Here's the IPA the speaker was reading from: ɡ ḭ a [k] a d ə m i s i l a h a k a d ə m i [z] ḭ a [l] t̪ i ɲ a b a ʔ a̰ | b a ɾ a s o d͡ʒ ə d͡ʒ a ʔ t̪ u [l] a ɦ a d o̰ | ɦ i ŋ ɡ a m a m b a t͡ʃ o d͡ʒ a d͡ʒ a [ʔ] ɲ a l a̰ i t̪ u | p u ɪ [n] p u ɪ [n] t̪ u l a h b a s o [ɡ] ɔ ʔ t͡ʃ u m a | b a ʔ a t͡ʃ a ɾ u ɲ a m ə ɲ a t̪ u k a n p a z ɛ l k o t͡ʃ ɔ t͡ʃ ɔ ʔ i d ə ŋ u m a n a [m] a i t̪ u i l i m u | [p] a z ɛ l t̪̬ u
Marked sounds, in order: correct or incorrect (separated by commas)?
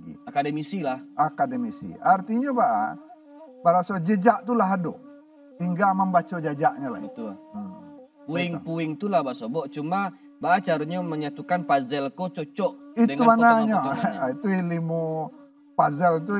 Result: correct, incorrect, incorrect, correct, correct, incorrect, incorrect, incorrect, incorrect, correct